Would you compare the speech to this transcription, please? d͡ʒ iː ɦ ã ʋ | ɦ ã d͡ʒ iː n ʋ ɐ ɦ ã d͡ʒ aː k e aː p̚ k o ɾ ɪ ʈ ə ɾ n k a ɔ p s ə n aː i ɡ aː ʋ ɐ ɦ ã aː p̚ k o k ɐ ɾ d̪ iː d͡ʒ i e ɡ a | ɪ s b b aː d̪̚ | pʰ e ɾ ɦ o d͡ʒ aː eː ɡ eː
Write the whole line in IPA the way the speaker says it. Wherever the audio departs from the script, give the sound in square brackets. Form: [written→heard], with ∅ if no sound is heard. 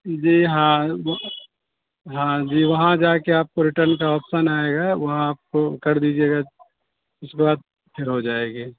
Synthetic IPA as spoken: d͡ʒ iː ɦ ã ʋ | ɦ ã d͡ʒ iː [n→∅] ʋ ɐ ɦ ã d͡ʒ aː k e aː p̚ k o ɾ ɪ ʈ ə ɾ n k a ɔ p s ə n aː [i→e] ɡ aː ʋ ɐ ɦ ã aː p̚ k o k ɐ ɾ d̪ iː d͡ʒ i e ɡ a | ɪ s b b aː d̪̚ | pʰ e ɾ ɦ o d͡ʒ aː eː ɡ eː